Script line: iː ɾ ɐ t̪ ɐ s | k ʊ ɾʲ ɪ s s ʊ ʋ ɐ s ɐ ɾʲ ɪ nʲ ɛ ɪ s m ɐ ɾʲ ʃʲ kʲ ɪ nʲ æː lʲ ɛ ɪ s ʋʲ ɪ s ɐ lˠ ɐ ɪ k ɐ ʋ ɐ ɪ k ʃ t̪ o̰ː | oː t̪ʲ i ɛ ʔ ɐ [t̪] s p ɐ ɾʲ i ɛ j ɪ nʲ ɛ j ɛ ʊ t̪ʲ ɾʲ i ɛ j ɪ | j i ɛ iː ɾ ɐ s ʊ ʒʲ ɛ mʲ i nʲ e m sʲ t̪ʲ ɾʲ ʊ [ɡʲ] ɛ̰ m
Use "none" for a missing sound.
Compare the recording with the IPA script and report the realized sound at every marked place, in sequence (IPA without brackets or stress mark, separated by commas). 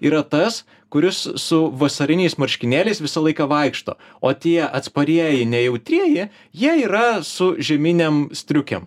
t̪, kʲ